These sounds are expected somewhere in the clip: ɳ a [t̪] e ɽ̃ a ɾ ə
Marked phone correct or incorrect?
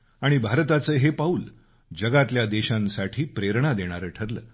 incorrect